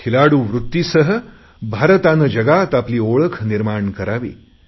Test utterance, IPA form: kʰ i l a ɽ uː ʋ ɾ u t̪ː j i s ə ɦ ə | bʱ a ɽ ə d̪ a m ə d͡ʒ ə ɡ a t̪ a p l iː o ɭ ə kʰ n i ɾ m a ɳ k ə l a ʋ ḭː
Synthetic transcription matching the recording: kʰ i l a ɽ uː ʋ ɾ u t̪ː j i s ə ɦ ə | bʱ a ɾ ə t̪ a n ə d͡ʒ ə ɡ a t̪ a p l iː o ɭ ə kʰ n i ɾ m a ɳ k ə ɾ a ʋ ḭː